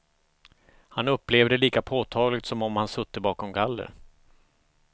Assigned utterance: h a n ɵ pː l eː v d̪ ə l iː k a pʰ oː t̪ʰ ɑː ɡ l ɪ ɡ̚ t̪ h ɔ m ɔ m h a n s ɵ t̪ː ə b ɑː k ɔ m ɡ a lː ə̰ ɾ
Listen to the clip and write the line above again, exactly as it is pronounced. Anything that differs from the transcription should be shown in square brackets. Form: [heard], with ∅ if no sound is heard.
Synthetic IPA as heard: h a n ɵ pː l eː v d̪ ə l iː k a pʰ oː t̪ʰ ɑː ɡ l ɪ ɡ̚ t̪ [s] ɔ m ɔ m h a n s ɵ t̪ː ə b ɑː k ɔ m ɡ a lː ə̰ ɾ